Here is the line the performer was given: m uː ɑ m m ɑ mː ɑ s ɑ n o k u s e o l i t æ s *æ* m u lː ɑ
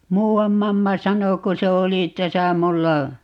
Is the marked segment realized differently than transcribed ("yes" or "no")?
no